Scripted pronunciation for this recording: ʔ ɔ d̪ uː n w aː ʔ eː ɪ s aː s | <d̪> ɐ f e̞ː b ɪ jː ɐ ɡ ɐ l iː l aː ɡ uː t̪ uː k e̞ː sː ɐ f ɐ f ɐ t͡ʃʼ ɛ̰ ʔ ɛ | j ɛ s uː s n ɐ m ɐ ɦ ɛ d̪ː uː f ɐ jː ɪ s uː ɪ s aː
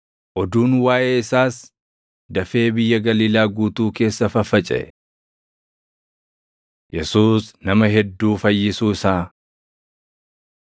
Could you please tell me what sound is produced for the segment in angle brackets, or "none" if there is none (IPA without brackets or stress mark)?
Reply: d̪